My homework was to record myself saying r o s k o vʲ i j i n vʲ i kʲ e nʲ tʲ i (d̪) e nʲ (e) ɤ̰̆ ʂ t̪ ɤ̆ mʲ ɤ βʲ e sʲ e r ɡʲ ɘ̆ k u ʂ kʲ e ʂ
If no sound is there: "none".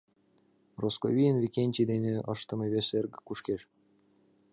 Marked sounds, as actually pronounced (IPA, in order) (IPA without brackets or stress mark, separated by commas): d̪, e